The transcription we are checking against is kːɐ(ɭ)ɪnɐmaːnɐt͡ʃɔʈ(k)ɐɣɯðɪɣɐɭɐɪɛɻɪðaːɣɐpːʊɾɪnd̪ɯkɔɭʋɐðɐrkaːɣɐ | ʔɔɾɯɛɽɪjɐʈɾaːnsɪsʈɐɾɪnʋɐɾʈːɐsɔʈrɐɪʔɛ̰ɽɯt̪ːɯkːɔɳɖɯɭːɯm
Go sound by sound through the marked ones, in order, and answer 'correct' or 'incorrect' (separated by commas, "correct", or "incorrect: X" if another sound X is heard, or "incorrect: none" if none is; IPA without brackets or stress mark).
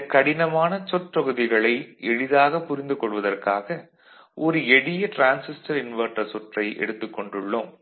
incorrect: ɽ, incorrect: p